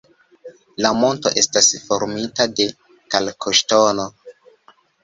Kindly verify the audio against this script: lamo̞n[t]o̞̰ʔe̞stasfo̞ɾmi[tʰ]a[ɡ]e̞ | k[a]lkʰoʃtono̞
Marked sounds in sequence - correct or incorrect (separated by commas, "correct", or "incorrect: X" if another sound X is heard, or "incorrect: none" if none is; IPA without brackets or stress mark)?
correct, incorrect: t, incorrect: d, correct